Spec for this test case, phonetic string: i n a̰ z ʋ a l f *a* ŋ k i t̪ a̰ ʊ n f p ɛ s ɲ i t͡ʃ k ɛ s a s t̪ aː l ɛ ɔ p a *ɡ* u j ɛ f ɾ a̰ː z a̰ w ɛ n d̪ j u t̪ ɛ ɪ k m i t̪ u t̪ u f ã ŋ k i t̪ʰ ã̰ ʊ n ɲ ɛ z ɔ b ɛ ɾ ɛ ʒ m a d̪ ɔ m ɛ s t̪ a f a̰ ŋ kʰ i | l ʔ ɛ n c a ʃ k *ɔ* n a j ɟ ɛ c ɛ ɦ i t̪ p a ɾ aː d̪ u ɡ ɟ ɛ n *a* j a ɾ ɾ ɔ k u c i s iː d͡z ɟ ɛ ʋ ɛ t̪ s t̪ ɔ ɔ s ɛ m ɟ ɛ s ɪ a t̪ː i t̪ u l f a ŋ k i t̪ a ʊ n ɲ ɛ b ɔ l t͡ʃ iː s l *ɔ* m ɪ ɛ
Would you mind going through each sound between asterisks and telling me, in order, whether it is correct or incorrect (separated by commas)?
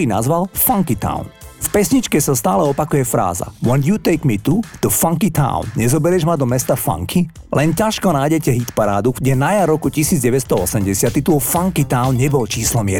correct, incorrect, correct, correct, correct